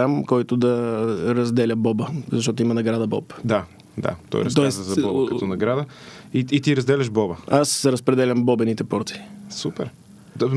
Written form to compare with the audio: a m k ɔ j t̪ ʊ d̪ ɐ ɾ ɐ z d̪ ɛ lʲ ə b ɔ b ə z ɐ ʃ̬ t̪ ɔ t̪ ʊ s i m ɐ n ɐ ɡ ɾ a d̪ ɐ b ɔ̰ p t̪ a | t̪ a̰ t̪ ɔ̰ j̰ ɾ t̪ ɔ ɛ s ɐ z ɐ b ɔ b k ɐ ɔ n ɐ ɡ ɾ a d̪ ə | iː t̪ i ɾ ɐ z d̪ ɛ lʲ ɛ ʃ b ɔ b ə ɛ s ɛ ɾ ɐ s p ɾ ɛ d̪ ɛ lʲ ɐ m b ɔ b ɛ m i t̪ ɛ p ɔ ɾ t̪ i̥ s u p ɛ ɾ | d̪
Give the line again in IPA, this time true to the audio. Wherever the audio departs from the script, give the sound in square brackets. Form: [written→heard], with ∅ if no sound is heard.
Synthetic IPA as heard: a m k ɔ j t̪ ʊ d̪ ɐ ɾ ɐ z d̪ ɛ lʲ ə b ɔ b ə z ɐ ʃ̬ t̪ ɔ t̪ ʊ [s→∅] i m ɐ n ɐ ɡ ɾ a d̪ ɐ b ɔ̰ p [t̪→d̪] a | [t̪→d̪] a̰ t̪ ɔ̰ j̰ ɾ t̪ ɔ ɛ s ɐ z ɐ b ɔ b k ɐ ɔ n ɐ ɡ ɾ a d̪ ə | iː t̪ i ɾ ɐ z d̪ ɛ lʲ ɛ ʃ b ɔ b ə [ɛ→a] s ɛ ɾ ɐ s p ɾ ɛ d̪ ɛ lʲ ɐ m b ɔ b ɛ [m→n] i t̪ ɛ p ɔ ɾ t̪ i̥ s u p ɛ ɾ | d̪